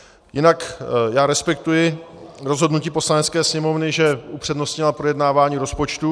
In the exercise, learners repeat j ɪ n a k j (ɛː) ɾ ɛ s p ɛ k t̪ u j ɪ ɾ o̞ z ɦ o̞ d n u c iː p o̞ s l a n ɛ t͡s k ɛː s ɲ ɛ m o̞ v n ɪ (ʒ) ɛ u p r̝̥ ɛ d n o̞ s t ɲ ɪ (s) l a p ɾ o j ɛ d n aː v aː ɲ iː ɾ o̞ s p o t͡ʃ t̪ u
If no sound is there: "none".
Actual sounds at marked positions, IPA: aː, ʒ, none

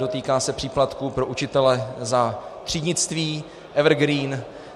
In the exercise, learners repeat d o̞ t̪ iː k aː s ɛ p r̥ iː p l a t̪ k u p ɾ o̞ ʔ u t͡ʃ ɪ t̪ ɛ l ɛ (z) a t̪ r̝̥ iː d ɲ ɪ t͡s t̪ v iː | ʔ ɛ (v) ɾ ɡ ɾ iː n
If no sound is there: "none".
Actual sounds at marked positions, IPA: z, v

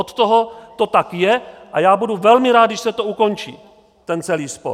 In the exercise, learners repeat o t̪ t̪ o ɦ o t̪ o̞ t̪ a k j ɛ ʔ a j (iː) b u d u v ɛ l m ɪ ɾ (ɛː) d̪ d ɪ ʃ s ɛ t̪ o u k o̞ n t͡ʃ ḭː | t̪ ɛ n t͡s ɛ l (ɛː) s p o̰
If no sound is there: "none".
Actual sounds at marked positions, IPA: aː, aː, iː

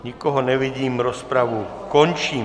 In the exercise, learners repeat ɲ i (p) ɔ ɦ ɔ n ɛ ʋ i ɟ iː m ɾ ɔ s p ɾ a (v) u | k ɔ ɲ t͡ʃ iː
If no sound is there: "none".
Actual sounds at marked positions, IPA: k, ʋ

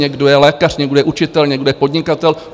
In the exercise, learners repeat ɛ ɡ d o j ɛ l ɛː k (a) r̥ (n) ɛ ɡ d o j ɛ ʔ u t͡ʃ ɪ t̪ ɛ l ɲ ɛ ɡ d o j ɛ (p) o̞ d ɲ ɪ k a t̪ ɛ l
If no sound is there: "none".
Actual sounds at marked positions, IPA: a, ɲ, p

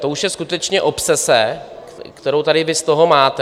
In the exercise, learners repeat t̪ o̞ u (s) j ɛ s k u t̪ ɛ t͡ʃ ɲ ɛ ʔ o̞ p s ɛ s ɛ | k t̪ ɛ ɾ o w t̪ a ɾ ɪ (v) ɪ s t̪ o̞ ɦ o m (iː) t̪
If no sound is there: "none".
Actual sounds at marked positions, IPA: ʃ, v, aː

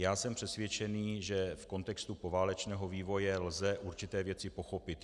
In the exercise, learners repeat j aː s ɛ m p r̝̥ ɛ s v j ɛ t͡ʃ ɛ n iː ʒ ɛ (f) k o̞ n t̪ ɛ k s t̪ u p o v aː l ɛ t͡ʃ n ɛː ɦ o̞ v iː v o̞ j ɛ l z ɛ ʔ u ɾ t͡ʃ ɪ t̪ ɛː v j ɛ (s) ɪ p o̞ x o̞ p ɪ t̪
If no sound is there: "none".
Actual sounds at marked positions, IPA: f, t͡s

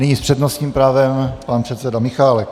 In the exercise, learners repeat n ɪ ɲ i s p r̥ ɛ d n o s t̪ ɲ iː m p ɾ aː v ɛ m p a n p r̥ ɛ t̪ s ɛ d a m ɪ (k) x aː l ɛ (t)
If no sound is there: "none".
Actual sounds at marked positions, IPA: none, k

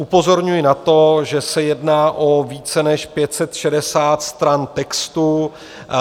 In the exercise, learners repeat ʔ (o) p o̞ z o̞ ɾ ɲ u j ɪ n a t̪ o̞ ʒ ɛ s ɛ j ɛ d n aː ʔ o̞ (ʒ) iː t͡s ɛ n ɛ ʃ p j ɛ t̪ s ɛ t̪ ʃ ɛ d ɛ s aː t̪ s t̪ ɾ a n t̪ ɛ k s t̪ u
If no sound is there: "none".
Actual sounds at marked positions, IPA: u, v

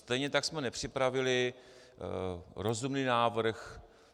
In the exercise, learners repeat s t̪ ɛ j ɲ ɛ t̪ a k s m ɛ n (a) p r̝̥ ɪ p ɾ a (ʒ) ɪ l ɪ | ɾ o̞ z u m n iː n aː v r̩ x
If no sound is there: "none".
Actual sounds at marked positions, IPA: ɛ, v

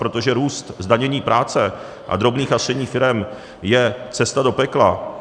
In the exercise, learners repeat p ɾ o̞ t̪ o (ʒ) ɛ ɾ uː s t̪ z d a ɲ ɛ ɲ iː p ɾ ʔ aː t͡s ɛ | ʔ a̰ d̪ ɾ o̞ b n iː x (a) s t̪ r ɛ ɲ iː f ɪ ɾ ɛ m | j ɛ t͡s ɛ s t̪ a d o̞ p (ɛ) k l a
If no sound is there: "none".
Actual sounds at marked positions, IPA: ʒ, a, ɛ

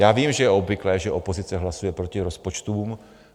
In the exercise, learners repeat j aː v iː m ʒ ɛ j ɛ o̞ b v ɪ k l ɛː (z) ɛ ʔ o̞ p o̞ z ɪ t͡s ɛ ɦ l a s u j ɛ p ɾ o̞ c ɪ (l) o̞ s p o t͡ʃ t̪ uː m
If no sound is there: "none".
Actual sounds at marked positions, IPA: ʒ, ɾ

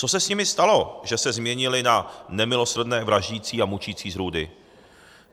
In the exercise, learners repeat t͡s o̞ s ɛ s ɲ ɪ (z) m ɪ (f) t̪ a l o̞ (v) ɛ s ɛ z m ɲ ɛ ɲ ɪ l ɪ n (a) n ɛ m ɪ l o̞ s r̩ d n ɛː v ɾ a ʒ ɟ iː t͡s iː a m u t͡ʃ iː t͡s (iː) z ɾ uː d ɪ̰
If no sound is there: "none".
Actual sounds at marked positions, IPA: none, s, ʒ, a, iː

